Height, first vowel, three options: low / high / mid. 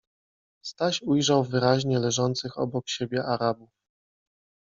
low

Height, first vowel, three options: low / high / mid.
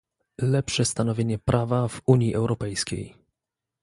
mid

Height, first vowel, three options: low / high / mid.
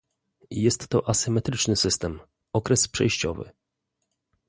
mid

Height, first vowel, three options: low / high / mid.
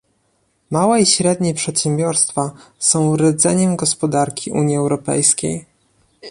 low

